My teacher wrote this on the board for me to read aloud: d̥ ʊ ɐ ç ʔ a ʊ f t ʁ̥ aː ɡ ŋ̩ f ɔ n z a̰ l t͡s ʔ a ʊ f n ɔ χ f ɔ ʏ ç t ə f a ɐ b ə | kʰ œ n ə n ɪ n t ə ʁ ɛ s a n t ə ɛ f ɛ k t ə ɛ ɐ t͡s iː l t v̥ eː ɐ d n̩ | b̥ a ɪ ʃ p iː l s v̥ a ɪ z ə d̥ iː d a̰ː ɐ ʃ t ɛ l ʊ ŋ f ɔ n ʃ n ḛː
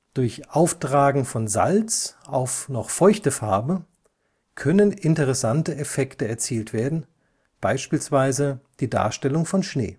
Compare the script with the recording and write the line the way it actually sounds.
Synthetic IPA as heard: d̥ ʊ ɐ ç ʔ a ʊ f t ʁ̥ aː ɡ ŋ̩ f ɔ n z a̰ l t͡s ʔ a ʊ f n ɔ χ f ɔ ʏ ç t ə f a ɐ b ə | kʰ œ n ə n ɪ n t ə ʁ ɛ s a n t ə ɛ f ɛ k t ə ɛ ɐ t͡s iː l t v̥ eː ɐ d n̩ | b̥ a ɪ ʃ p iː l s v̥ a ɪ z ə d̥ iː d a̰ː ɐ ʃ t ɛ l ʊ ŋ f ɔ n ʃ n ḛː